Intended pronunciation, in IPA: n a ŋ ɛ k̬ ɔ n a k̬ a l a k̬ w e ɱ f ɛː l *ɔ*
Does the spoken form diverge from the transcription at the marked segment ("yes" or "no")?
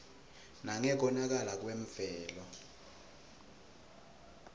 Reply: no